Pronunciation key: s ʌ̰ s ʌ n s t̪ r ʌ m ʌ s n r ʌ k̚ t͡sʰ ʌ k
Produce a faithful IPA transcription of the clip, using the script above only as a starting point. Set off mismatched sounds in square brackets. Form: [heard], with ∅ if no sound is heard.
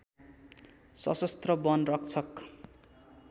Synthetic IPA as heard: s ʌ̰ s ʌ [∅] s t̪ r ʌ [b] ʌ [∅] n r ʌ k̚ t͡sʰ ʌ k